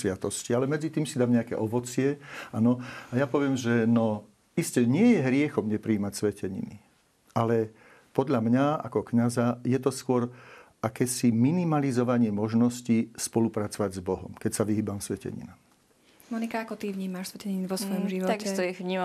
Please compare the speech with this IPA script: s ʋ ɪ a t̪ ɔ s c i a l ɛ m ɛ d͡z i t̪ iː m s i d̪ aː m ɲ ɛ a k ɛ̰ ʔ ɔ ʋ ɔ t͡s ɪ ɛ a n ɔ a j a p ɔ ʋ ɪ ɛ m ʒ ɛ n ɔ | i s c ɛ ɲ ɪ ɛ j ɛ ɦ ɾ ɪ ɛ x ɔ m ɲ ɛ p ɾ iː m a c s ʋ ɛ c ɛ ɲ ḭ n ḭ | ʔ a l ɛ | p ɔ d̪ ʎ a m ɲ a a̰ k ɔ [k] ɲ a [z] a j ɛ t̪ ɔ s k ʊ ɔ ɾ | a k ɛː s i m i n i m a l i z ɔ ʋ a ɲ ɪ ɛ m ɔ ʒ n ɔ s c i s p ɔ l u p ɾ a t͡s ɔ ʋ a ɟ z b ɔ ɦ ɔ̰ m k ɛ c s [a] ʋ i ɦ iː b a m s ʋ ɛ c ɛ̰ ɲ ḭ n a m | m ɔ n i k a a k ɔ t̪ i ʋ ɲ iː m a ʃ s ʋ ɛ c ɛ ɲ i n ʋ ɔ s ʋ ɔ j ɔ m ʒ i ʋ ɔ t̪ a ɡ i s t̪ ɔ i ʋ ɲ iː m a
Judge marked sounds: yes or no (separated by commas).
yes, yes, yes